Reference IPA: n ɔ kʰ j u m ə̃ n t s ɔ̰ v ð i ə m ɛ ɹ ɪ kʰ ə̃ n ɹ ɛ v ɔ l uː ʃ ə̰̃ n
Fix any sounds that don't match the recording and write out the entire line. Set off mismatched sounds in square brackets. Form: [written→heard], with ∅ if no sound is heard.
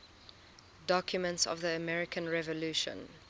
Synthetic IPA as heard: [n→d] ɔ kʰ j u m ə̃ n t s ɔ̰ v ð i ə m ɛ ɹ ɪ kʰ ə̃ n ɹ ɛ v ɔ l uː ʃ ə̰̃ n